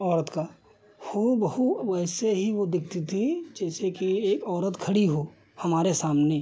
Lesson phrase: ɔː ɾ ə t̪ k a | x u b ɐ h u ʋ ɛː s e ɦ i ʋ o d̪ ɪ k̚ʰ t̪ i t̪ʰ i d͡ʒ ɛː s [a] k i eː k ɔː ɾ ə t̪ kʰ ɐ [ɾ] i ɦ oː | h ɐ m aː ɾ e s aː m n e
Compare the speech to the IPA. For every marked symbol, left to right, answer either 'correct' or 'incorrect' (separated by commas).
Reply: incorrect, incorrect